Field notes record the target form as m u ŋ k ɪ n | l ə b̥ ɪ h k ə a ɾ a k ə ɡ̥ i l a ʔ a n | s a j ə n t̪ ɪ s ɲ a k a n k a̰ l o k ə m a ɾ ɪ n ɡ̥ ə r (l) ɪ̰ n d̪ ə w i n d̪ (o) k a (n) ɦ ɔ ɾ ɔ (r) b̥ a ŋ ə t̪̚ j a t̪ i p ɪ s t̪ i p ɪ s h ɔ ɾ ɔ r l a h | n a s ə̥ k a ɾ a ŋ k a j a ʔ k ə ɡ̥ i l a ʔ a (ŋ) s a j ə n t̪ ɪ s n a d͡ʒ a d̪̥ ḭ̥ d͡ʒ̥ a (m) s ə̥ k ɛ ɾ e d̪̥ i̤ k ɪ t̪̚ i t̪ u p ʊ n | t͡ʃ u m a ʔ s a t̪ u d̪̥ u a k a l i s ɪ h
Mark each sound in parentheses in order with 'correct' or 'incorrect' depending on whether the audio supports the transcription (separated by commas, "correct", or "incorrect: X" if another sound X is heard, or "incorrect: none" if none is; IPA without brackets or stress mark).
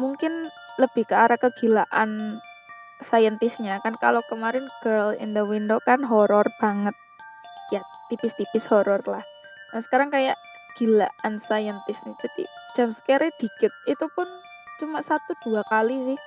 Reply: correct, correct, correct, correct, incorrect: n, correct